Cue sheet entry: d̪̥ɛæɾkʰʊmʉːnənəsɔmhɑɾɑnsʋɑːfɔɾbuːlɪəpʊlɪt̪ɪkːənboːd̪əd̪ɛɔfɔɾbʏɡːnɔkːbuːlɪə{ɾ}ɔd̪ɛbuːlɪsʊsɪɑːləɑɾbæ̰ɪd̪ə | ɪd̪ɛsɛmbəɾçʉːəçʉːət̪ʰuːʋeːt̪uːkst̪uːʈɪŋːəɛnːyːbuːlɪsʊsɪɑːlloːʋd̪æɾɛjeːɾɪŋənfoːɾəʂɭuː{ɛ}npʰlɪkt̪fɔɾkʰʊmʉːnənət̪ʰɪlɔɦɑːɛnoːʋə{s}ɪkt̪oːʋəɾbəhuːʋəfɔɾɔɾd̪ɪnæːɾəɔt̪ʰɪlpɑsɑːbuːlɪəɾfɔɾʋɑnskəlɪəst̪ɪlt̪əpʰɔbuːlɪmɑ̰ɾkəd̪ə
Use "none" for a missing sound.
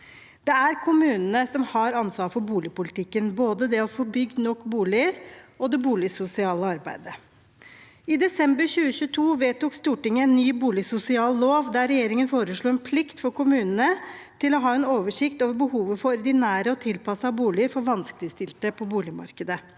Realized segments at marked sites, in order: ɾ, ɛ, ʂ

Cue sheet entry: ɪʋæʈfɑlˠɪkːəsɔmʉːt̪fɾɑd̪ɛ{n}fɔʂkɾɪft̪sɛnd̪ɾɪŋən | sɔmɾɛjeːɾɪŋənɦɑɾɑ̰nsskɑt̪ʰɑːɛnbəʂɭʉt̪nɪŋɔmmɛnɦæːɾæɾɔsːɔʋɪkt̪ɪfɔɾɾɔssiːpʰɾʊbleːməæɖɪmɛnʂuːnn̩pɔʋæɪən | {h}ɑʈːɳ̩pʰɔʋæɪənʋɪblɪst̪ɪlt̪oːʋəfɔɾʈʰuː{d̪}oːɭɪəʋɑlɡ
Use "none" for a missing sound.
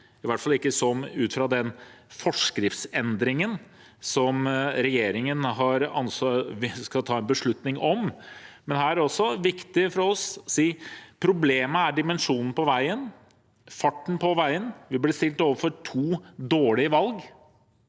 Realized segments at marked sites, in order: n, f, d̪

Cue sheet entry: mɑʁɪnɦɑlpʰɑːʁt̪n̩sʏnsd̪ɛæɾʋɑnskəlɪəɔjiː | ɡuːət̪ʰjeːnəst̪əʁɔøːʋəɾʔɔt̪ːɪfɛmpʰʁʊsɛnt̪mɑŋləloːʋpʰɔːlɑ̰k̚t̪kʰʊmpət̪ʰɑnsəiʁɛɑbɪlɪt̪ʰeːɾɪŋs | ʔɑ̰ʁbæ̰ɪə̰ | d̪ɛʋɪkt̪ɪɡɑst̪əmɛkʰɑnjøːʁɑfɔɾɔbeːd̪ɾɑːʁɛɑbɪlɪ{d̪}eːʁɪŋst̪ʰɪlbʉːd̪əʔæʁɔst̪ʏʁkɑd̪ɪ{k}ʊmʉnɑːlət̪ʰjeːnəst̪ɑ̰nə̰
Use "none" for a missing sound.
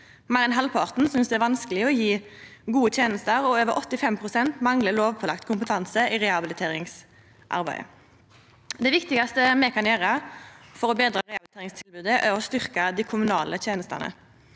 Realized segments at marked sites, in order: t̪, kʰ

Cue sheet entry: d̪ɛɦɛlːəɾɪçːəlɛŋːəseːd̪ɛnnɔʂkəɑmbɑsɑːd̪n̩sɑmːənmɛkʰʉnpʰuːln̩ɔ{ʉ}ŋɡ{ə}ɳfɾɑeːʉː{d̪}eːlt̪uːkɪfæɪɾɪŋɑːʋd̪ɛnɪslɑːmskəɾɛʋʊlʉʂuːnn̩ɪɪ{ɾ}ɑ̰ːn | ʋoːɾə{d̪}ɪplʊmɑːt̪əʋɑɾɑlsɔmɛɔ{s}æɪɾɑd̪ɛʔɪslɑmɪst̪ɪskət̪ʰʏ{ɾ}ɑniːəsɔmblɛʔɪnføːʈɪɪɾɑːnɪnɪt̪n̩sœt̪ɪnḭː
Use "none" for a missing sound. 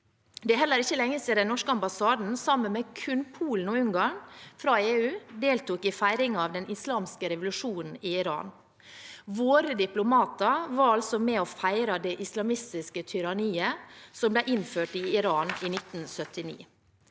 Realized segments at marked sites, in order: ʉ, ɑ, d̪, ɾ, d̪, f, ɾ

